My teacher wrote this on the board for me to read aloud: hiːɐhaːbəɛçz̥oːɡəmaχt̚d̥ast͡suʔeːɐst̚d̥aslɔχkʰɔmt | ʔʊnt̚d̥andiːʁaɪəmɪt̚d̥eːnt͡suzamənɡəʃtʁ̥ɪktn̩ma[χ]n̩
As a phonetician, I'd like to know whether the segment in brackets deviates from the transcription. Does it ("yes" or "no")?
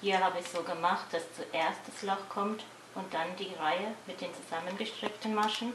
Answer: yes